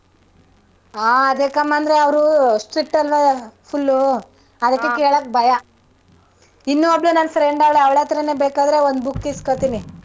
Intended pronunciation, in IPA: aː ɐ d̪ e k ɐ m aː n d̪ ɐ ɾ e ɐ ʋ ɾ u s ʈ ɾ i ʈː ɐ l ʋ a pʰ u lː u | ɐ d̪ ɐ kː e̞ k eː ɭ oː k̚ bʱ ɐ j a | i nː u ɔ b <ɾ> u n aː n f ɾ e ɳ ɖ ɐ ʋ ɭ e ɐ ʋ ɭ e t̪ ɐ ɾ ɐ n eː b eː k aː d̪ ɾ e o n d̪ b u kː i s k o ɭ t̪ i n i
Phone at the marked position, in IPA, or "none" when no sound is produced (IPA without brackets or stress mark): ɭ